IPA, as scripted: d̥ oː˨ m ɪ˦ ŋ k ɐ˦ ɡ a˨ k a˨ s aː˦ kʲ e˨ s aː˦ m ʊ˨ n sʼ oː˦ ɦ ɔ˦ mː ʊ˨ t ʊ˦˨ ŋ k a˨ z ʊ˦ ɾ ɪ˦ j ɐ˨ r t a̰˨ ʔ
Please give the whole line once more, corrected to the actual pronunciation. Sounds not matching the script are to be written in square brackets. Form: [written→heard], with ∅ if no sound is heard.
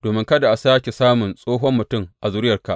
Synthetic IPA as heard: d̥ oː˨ m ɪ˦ ŋ k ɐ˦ [ɡ→d] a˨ [k→ʔ] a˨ s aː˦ kʲ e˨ s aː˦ m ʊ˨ n sʼ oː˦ ɦ ɔ˦ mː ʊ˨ t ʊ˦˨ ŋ [k→ʔ] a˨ z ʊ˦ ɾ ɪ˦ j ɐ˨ r [t→k] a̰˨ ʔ